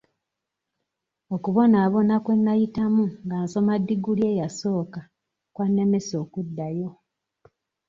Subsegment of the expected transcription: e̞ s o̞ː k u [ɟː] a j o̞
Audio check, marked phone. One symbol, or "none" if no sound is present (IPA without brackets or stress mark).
dː